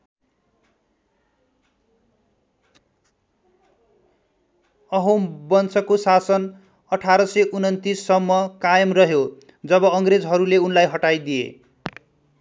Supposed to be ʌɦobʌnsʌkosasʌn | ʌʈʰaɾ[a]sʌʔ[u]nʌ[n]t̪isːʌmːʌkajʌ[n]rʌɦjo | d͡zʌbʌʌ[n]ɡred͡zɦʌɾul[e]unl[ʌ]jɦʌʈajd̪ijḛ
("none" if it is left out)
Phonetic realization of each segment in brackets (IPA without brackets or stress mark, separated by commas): ʌ, u, n, m, ŋ, e, a